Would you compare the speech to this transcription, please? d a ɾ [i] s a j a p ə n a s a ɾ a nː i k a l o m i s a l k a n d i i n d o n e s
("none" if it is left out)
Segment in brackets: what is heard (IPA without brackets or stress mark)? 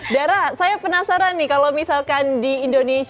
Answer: a